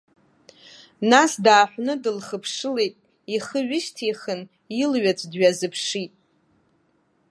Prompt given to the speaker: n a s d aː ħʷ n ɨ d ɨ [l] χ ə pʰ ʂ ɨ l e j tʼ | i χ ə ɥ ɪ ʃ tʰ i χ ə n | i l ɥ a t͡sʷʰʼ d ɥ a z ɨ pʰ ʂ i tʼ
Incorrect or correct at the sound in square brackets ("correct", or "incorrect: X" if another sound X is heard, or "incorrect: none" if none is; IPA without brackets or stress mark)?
correct